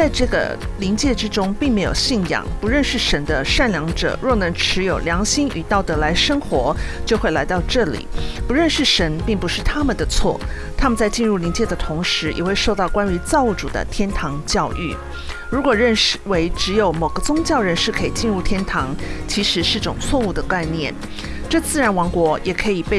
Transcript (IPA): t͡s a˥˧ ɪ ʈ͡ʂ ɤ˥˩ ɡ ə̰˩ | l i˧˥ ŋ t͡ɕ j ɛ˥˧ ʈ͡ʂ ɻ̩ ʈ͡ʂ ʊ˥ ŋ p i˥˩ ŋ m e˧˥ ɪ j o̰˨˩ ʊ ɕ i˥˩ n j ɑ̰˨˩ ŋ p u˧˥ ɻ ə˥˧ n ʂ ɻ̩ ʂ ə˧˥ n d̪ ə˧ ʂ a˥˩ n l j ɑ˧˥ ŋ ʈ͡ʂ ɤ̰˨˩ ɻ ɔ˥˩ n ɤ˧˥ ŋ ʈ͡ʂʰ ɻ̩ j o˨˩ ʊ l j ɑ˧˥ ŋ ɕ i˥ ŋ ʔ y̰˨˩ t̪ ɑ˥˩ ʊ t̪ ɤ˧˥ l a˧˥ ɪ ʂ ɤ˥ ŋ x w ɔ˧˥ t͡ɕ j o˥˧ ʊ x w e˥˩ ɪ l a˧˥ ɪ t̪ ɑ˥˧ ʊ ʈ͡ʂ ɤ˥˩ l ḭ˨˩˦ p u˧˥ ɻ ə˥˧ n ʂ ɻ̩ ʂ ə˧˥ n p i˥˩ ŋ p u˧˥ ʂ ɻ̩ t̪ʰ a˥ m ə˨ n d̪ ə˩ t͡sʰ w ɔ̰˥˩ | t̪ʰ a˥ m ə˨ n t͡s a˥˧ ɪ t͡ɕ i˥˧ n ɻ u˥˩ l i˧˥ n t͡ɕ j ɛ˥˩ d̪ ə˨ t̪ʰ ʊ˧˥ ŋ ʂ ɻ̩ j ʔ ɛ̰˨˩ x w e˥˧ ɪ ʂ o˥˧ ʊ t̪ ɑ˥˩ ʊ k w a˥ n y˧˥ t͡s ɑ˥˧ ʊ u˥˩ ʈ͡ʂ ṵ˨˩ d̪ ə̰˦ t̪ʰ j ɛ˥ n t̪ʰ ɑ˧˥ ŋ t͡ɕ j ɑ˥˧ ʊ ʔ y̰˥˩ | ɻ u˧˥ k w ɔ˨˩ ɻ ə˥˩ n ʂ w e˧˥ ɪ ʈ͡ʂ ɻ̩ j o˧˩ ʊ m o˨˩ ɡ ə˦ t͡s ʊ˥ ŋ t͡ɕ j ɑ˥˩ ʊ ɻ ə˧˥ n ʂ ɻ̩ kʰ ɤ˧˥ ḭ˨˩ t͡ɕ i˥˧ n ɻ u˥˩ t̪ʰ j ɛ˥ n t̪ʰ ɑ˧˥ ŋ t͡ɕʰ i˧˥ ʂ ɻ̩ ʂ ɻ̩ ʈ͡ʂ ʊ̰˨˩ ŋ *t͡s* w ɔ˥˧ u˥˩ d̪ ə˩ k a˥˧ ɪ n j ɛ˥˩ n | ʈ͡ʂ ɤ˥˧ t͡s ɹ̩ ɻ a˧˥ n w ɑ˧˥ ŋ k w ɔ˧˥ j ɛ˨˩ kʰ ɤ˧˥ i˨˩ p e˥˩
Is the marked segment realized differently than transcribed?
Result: yes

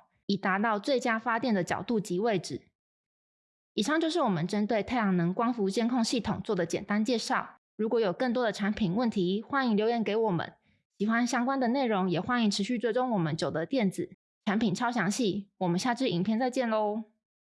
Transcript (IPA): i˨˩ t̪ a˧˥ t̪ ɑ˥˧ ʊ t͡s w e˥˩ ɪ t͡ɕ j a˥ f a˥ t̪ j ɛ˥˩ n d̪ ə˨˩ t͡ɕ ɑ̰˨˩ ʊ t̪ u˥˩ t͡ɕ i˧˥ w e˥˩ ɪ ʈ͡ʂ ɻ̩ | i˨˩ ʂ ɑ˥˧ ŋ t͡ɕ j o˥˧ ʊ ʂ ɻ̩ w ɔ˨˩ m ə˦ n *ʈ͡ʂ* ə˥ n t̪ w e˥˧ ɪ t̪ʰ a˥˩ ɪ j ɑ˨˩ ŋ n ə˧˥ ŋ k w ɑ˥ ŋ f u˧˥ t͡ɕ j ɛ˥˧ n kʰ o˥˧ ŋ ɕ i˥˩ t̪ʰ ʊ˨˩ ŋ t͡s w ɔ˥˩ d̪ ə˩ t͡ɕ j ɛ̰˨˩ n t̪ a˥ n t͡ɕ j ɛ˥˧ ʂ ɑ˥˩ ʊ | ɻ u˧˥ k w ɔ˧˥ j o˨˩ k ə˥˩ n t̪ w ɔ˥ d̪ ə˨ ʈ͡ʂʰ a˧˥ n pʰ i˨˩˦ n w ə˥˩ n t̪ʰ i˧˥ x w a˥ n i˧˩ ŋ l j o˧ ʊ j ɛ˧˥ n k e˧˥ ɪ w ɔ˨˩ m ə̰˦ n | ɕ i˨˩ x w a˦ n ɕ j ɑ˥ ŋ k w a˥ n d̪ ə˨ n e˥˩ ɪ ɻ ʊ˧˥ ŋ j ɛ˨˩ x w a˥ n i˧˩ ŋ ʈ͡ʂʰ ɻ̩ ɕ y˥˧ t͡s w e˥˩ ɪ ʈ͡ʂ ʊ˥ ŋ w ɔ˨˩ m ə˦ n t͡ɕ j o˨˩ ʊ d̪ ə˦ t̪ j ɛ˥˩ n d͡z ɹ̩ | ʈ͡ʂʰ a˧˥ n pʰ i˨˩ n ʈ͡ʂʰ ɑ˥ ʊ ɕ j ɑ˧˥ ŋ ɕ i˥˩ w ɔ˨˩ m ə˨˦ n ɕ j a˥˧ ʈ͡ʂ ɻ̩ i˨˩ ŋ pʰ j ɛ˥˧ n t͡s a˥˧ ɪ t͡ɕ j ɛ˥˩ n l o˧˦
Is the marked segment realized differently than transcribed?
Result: no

